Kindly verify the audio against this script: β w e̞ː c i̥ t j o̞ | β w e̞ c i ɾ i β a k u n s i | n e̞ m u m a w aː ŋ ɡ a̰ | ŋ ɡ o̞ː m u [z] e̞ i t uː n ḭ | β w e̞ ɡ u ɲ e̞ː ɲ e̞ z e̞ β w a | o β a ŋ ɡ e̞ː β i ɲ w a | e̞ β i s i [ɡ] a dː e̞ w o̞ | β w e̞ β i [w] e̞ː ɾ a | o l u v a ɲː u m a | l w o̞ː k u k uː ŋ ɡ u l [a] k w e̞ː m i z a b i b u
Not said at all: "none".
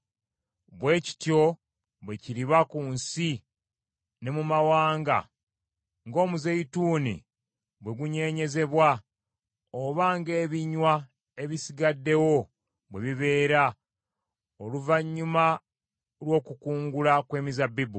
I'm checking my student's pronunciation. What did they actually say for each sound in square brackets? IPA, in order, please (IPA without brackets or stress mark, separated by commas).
z, ɡ, β, a